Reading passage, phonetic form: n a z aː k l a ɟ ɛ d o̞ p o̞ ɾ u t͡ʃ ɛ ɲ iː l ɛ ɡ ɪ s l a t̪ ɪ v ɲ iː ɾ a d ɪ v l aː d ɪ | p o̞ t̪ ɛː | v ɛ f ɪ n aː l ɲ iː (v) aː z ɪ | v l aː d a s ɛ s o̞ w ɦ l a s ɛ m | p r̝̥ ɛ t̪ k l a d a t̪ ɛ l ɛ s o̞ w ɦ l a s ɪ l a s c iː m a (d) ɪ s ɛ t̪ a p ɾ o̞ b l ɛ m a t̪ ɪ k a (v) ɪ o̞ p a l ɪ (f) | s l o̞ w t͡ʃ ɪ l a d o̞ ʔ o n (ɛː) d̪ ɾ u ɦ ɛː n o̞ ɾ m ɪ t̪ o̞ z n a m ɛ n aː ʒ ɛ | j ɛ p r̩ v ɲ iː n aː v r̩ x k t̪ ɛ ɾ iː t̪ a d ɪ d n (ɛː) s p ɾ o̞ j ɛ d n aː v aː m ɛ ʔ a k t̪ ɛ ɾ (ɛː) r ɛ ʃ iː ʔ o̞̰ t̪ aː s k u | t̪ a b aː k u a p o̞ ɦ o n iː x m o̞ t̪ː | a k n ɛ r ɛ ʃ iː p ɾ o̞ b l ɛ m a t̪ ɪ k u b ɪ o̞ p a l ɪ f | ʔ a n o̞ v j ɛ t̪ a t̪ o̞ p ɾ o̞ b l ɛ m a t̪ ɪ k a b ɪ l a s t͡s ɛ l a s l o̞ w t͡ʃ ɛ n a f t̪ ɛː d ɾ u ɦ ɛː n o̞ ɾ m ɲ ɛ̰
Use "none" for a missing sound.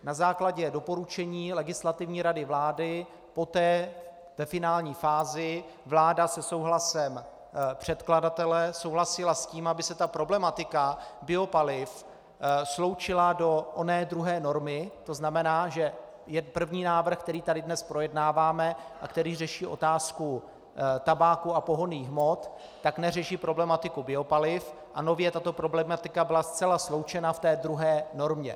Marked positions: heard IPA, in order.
f, b, b, f, ɛː, ɛ, iː

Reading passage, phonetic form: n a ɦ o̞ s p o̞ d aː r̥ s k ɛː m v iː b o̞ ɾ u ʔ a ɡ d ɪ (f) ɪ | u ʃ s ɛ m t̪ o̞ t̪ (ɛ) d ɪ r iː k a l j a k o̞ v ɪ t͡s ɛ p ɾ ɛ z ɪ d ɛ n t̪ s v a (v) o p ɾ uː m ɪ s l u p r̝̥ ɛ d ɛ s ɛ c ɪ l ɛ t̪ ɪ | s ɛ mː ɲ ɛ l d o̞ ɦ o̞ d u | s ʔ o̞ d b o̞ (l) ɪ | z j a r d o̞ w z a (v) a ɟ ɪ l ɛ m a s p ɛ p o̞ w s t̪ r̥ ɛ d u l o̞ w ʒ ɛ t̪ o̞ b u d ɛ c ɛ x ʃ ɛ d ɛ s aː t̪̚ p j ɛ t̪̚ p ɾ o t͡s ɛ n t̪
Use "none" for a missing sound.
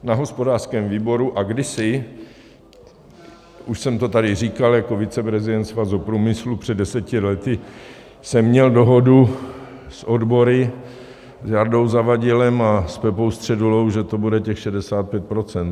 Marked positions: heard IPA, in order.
s, a, z, ɾ, v

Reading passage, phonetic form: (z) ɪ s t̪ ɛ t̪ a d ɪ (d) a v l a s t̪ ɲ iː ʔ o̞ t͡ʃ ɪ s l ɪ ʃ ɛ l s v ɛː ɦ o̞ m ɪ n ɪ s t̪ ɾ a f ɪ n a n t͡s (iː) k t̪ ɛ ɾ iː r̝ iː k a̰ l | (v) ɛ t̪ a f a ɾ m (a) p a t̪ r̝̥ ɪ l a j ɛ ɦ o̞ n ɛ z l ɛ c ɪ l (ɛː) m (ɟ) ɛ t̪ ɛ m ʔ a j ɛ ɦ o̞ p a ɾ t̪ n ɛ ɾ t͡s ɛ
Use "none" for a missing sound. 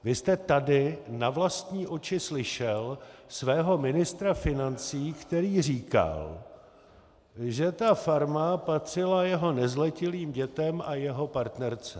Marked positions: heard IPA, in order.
v, n, iː, ʒ, a, iː, ɟ

